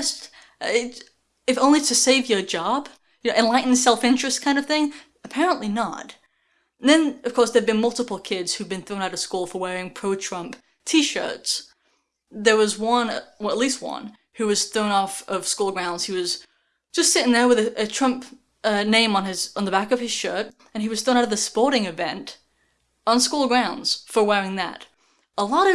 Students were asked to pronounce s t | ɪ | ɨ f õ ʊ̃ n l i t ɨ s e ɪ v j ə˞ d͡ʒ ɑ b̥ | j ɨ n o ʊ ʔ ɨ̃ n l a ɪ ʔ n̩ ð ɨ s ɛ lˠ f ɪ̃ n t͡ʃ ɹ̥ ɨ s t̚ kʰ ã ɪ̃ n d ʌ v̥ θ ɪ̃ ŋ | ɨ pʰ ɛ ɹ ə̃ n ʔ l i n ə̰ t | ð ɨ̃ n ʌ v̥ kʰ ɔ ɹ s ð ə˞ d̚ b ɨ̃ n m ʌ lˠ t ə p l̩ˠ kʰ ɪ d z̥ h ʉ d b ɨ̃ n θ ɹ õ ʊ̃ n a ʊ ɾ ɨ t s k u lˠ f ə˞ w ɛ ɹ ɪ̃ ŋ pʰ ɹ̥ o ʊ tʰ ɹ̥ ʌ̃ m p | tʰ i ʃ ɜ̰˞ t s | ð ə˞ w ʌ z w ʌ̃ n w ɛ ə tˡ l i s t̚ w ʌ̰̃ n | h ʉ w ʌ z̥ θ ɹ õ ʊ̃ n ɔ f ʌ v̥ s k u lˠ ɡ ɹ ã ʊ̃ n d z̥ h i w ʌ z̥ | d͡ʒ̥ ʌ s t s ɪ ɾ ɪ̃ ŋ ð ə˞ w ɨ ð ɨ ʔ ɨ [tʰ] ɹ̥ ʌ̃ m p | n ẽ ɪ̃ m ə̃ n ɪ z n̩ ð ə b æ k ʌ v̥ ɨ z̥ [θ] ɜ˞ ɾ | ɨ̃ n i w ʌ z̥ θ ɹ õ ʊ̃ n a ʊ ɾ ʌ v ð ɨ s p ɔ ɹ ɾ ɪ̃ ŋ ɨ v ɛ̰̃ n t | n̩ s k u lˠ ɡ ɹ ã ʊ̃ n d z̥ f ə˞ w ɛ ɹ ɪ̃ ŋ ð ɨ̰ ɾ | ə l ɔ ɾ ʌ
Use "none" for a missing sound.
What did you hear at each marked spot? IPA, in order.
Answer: tʰ, ʃ

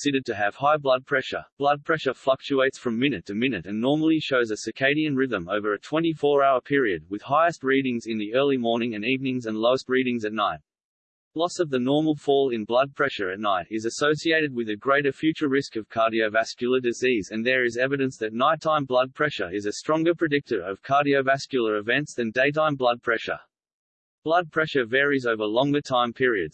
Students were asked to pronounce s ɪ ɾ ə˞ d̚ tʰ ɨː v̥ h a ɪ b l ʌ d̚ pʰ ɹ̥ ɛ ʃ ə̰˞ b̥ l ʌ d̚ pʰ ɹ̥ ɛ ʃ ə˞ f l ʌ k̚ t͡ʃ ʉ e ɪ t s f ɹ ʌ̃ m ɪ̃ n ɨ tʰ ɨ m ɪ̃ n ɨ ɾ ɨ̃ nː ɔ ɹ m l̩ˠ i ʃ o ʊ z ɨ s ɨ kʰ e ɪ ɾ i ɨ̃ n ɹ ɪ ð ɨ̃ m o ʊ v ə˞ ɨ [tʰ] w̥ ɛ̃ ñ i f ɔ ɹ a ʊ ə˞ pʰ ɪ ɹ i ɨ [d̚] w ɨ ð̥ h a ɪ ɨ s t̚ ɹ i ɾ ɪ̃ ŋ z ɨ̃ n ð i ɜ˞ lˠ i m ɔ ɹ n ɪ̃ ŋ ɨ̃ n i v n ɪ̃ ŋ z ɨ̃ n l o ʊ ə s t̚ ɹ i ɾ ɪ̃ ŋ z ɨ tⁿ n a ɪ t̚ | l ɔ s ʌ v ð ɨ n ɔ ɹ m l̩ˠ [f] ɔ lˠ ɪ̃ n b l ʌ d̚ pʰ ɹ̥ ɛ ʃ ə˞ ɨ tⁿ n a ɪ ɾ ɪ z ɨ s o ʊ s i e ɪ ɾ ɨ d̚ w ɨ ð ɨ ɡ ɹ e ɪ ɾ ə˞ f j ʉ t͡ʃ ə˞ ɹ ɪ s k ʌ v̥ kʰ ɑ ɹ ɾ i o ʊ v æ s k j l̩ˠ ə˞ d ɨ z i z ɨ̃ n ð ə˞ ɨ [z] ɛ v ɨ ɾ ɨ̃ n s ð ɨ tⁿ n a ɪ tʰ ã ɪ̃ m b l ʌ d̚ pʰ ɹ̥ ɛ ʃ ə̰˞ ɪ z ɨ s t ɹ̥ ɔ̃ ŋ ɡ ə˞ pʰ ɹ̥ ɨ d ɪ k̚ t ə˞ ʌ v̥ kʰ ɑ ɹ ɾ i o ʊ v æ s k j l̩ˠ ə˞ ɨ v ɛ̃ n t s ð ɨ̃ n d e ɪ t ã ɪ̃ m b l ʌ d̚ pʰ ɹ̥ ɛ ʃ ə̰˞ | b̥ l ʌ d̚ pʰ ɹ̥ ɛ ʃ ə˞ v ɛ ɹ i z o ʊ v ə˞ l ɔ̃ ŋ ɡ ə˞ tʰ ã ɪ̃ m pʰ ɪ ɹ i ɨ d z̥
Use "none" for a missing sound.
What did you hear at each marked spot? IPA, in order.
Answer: tʰ, d̚, f, z

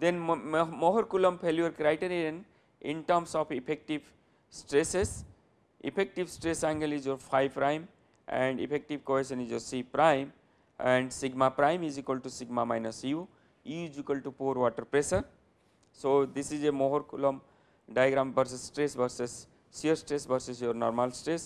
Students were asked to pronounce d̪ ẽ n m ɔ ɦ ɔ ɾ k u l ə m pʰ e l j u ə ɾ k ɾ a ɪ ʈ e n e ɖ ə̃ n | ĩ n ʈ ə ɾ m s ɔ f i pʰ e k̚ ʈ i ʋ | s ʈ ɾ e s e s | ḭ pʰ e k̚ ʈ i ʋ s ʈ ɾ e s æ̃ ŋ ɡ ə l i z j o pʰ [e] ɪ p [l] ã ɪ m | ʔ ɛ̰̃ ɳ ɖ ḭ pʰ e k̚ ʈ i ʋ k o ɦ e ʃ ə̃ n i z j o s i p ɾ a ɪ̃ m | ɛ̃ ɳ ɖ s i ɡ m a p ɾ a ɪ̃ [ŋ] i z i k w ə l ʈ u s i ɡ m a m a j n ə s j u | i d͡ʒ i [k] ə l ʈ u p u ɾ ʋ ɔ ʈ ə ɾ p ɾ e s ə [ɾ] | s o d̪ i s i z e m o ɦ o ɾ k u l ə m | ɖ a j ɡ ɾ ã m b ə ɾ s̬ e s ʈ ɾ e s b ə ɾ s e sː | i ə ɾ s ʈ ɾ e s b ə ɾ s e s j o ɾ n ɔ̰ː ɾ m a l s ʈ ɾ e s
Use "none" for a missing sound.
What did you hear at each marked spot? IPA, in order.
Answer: a, ɾ, m, k, ɾ

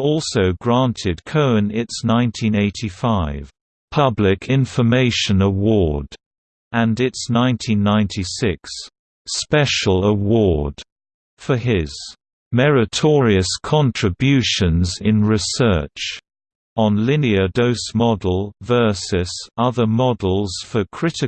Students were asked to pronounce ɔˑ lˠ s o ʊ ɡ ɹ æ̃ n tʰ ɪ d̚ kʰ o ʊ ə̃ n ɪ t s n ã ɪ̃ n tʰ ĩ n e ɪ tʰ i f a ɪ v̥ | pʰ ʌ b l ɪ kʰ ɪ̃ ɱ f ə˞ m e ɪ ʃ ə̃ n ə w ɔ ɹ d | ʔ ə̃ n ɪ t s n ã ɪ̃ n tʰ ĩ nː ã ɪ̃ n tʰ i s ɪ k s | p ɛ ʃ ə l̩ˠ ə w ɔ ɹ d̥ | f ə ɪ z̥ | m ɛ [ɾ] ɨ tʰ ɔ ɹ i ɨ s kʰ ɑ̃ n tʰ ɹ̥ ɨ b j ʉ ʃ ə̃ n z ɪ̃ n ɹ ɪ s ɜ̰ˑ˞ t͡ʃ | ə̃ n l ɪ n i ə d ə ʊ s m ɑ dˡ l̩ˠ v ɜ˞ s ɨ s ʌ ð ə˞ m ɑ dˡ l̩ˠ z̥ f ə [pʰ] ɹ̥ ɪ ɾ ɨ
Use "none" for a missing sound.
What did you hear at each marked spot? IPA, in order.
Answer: ɹ, kʰ

